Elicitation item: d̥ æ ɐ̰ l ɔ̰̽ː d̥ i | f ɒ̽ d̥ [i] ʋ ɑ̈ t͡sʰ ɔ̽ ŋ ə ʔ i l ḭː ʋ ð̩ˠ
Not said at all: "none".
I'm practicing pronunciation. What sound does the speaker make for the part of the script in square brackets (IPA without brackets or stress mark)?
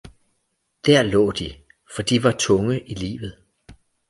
i